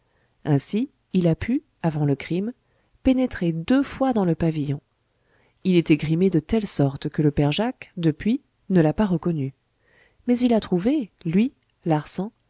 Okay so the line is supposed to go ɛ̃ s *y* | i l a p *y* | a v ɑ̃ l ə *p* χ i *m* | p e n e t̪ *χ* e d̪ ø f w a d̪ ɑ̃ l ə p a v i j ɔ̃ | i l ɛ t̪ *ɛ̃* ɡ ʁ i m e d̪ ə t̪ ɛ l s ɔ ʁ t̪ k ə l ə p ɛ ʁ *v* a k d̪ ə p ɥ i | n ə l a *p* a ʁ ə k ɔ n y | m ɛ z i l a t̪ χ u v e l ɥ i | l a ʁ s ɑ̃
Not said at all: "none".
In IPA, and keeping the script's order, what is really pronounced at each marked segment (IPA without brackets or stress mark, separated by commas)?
i, y, k, m, χ, ɛ, ʒ, p